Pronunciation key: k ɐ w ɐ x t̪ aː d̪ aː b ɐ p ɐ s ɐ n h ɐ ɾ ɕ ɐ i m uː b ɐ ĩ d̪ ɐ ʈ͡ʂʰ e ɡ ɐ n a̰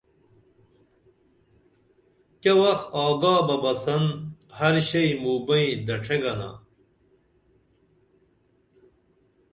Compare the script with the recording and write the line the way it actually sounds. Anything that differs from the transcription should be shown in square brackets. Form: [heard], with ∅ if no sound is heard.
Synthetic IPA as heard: k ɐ w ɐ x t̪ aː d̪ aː b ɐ [b] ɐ s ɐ n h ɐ ɾ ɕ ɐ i m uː b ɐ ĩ d̪ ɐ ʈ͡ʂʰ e ɡ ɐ n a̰